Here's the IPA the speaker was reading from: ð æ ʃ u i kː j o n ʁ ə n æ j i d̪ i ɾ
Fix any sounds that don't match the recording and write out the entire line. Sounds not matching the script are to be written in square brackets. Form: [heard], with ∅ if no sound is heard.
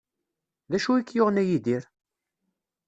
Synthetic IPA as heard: ð æ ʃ u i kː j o [∅] ʁ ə n æ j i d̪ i ɾ